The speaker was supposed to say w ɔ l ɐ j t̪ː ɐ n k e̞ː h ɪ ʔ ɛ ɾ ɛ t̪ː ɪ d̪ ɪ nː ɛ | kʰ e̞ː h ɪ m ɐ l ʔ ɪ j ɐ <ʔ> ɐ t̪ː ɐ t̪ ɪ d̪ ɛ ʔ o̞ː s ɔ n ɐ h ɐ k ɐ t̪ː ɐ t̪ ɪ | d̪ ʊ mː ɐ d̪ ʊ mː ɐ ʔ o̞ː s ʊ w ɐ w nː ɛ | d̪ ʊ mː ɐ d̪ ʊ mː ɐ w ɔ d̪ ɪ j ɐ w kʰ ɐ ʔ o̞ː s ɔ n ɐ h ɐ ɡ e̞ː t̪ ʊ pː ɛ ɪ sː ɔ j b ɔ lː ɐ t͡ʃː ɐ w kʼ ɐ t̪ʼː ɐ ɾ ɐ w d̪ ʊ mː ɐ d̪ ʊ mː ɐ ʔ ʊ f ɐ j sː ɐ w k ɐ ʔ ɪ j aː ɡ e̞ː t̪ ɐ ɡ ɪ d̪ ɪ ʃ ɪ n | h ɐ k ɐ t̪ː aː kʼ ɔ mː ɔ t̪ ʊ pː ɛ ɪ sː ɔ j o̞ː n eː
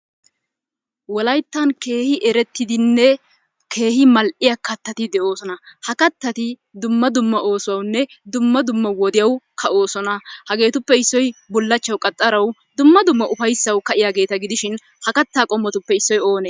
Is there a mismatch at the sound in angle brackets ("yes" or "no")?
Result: yes